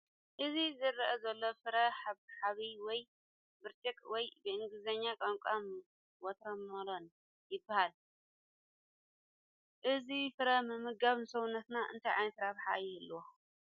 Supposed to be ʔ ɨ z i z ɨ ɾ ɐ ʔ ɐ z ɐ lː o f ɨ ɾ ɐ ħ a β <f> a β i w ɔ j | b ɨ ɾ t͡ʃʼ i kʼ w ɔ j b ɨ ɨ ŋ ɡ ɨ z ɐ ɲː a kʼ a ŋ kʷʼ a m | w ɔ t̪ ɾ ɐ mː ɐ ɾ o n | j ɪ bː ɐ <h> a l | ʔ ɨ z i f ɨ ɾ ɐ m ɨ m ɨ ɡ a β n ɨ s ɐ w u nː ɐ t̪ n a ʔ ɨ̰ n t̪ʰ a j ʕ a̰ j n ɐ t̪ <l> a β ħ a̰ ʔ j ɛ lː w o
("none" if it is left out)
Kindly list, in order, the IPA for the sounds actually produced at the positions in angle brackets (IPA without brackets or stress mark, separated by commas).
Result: ħ, h, ɾ